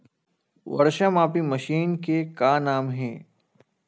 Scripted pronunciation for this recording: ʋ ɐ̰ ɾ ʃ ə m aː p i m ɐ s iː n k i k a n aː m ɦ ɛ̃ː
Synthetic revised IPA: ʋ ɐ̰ ɾ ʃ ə m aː p i m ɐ ʃ iː n k e k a n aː m ɦ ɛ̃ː